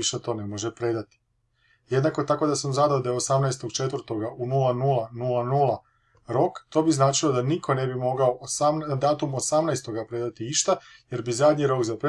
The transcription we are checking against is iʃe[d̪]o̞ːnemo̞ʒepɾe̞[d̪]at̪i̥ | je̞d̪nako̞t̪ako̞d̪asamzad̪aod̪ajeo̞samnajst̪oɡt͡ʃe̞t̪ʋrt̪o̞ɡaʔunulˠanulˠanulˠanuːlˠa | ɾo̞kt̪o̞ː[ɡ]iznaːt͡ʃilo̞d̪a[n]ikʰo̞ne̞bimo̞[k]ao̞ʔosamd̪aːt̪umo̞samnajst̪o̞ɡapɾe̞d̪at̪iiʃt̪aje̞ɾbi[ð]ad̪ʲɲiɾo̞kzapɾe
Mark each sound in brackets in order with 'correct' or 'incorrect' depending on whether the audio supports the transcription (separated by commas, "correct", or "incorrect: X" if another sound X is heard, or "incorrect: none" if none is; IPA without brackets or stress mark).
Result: incorrect: t̪, correct, incorrect: b, correct, incorrect: ɡ, incorrect: z